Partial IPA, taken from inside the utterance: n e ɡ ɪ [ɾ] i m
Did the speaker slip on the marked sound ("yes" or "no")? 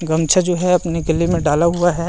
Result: yes